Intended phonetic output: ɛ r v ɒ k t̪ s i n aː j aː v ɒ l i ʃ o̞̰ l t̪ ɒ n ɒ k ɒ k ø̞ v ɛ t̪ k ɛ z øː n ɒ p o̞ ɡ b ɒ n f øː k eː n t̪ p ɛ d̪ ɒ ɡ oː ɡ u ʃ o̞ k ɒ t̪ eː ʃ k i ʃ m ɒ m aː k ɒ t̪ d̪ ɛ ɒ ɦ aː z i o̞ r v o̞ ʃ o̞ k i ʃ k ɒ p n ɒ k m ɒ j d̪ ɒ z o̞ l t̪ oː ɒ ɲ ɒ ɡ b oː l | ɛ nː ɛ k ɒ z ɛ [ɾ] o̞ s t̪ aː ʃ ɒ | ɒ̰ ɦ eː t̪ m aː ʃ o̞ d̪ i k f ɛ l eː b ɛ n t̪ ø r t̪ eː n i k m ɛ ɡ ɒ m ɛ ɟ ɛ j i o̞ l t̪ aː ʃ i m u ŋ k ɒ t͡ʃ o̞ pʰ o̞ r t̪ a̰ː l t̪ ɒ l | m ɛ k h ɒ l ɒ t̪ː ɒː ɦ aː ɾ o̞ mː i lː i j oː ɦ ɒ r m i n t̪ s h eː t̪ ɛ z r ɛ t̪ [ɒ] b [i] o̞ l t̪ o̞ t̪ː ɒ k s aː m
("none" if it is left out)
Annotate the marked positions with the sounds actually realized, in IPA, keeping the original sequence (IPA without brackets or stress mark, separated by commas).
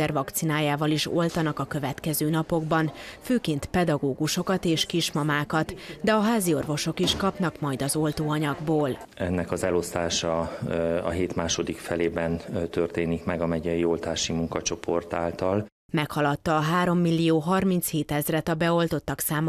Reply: l, ɒ, ɛ